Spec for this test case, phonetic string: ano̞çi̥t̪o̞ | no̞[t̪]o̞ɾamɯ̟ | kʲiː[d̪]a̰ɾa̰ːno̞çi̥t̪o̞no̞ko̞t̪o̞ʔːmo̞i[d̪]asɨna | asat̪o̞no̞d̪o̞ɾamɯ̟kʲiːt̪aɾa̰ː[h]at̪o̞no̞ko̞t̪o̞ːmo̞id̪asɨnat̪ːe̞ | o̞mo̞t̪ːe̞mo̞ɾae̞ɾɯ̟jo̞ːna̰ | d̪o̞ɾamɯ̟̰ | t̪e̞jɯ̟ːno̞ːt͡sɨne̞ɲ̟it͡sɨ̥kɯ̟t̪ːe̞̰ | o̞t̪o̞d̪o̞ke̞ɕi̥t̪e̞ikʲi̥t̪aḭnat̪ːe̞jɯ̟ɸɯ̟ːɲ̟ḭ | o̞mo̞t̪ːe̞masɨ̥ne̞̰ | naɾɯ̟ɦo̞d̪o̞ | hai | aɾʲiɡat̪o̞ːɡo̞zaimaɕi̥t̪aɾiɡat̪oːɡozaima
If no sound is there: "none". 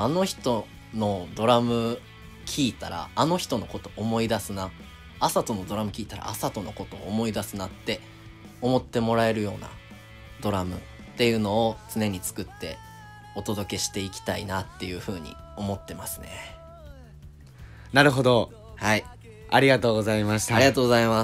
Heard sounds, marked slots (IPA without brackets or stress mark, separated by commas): d̪, t̪, d̪, s